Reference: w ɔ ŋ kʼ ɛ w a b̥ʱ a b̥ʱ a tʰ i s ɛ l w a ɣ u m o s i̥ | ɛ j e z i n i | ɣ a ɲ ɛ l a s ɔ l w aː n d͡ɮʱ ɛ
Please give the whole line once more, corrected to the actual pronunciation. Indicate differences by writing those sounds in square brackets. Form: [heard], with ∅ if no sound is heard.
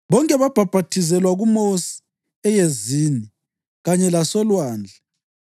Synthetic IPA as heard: [β] ɔ ŋ kʼ ɛ [β] a b̥ʱ a b̥ʱ a tʰ i [z] ɛ l w a ɣ u m o s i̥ | ɛ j e z i n i | ɣ a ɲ ɛ l a s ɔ l w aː n d͡ɮʱ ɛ

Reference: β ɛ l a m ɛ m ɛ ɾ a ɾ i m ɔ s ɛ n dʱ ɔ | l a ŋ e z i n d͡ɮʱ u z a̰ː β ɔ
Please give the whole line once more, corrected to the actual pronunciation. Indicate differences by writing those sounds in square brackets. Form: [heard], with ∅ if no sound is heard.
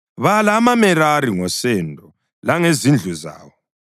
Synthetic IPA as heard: β [a] l a m [a] m ɛ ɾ a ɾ i [ŋ] ɔ s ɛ n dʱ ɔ | l a ŋ e z i n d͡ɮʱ u z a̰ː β ɔ

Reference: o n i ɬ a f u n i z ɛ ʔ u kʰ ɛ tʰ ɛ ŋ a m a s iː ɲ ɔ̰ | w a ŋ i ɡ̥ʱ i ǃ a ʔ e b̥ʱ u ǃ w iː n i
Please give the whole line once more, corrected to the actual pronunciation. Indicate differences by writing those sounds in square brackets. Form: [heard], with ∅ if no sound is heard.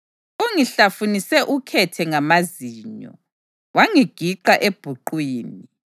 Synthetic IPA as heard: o [ŋ] i ɬ a f u n i [s] ɛ ʔ u kʰ ɛ tʰ ɛ ŋ a m a [z] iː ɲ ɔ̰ | w a ŋ i ɡ̥ʱ i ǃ a ʔ e b̥ʱ u ǃ w iː n i

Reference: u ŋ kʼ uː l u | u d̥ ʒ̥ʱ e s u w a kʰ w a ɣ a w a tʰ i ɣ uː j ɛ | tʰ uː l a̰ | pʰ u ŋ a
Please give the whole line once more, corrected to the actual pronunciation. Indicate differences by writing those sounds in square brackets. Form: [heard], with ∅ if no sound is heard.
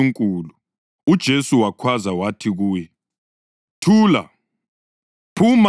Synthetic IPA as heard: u ŋ kʼ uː l u | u d̥ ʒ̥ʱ e s u w a kʰ w a [z] a w a tʰ i ɣ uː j ɛ | tʰ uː l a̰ | pʰ u [m] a

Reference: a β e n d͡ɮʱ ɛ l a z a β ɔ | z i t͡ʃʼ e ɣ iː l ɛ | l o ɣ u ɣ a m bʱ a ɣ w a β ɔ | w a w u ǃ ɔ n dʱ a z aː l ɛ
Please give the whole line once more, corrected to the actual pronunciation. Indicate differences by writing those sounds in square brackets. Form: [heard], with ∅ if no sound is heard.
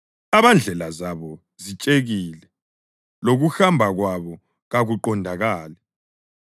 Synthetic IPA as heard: a β [a] n d͡ɮʱ ɛ l a z a β ɔ | z i t͡ʃʼ e ɣ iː l ɛ | l o ɣ u [x] a m bʱ a ɣ w a β ɔ | [ɣ] a [ɣ] u ǃ ɔ n dʱ a [ɣ] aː l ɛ

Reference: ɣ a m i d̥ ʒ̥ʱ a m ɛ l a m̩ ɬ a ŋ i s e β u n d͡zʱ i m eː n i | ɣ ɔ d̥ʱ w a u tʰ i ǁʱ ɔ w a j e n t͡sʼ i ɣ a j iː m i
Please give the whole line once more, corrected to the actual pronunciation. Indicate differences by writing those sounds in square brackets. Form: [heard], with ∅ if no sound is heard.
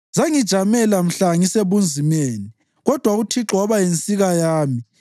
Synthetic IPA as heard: [z] a [ŋ] i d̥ ʒ̥ʱ a m ɛ l a m̩ ɬ a ŋ i s e β u n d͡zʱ i m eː n i | ɣ ɔ d̥ʱ w a u tʰ i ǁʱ ɔ [β] a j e n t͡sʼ i ɣ a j [aː] m i

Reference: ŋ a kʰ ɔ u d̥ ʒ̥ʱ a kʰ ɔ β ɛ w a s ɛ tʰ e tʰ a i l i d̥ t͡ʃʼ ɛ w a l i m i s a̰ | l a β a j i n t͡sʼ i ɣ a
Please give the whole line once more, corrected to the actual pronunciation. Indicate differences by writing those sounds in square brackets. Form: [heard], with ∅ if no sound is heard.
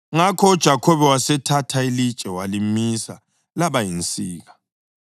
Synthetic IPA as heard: ŋ a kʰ ɔ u d̥ ʒ̥ʱ a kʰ ɔ β ɛ w a s ɛ tʰ [a] tʰ a i l i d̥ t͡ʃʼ ɛ w a l i m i s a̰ | l a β a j i n t͡sʼ [iː] ɣ a

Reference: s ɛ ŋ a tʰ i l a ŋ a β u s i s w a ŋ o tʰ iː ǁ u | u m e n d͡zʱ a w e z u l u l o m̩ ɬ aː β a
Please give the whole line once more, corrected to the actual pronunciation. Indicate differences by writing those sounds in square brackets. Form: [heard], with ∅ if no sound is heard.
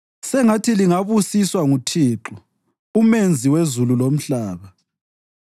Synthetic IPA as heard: s ɛ ŋ a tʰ i l [i] ŋ a β u s i s w a ŋ [u] tʰ iː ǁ u | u m e n d͡zʱ [i] w e z u l u l o m̩ ɬ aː β a

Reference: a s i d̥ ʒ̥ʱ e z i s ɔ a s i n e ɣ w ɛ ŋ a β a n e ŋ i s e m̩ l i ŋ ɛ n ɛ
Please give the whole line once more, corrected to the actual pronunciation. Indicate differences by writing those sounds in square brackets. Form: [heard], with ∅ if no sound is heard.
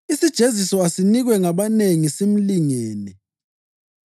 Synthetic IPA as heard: [i] s i d̥ ʒ̥ʱ e z i s ɔ a s i n [i] ɣ w ɛ ŋ a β a n e ŋ i s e m̩ l i ŋ [ɛː] n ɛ

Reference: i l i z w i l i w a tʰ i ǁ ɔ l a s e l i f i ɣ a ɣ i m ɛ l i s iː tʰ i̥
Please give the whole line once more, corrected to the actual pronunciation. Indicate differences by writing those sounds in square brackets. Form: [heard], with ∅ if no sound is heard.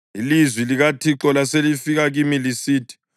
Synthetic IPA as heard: i l i z w i l i [ɣ] a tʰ i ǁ ɔ l a s e l i f i ɣ a ɣ i m [i] l i s iː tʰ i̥

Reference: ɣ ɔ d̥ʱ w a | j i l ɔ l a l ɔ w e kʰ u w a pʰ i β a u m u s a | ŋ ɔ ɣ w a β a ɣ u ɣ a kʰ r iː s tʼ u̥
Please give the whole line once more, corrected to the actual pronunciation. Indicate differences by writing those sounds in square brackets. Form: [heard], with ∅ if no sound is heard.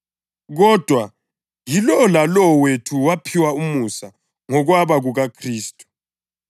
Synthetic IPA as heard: ɣ ɔ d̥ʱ w a | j i l ɔ l a l ɔ w e [tʰ] u w a pʰ i [w] a u m u s a | ŋ ɔ ɣ w a β a ɣ u ɣ a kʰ r iː s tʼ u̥

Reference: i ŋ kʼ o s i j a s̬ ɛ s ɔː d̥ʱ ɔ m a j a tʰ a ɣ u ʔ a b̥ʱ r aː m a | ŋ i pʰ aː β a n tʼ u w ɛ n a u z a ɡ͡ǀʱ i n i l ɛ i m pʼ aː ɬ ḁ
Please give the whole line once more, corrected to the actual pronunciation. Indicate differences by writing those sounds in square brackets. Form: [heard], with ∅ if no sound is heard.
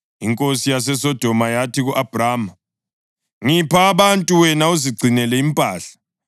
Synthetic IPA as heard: i ŋ kʼ o s i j a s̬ ɛ s [ɔ] d̥ʱ ɔ m a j a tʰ [i] ɣ u ʔ a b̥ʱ r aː m a | ŋ i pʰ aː β a n tʼ u w ɛ n a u z [i] ɡ͡ǀʱ i n [ɛ] l ɛ i m pʼ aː ɬ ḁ

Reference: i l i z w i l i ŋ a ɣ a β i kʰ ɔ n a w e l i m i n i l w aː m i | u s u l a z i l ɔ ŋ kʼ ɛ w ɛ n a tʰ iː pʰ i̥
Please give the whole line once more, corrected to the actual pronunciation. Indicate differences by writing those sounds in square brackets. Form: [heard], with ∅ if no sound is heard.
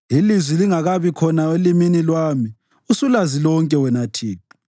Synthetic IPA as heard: i l i z w i l i ŋ a ɣ a β i kʰ ɔ n a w e l i m i n i l w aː m i | u s u l a z i l ɔ ŋ kʼ ɛ w ɛ n a tʰ iː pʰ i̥

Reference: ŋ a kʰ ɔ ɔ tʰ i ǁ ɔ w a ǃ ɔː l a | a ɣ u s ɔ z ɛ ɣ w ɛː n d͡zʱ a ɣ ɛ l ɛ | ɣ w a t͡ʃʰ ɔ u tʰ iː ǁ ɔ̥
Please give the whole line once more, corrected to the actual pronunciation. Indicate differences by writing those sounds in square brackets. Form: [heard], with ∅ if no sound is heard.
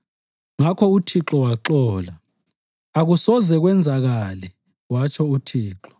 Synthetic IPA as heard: ŋ a kʰ ɔ [u] tʰ i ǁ ɔ w a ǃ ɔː l a | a ɣ u s ɔ z ɛ ɣ w [ɛ] n d͡zʱ a ɣ [a] l ɛ | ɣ w a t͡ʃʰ ɔ u tʰ iː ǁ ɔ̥

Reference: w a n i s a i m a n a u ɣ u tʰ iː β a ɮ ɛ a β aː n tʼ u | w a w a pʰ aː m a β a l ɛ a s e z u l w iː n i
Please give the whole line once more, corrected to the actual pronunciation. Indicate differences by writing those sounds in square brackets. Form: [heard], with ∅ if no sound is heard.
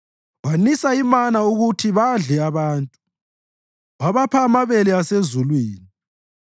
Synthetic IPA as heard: w a n i s a i m a n a u ɣ u tʰ [i] β a ɮ ɛ a β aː n tʼ u | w a [β] a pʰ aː m a β [ɛ] l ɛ a s e z u l w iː n i

